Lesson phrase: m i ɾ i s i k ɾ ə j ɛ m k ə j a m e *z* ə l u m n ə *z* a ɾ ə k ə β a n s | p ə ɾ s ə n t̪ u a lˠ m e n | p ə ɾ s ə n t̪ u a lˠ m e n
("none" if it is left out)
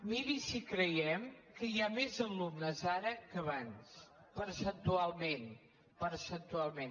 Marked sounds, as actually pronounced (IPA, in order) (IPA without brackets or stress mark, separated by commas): z, z